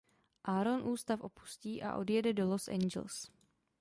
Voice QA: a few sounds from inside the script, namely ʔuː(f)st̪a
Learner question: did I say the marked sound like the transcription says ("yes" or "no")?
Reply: no